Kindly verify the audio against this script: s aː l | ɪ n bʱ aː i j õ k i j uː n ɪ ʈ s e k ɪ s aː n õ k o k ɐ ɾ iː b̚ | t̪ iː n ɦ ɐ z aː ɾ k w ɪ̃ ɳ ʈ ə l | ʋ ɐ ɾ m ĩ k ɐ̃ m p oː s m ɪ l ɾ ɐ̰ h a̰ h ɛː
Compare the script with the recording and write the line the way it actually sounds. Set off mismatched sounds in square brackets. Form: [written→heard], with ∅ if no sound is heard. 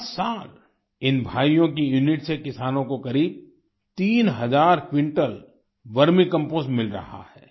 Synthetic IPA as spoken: s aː l | ɪ n bʱ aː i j õ k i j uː n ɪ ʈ s e k ɪ s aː n õ k o k ɐ ɾ iː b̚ | t̪ iː n ɦ ɐ z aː ɾ k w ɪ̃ ɳ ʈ ə l | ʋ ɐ ɾ m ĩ k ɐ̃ m p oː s m ɪ l ɾ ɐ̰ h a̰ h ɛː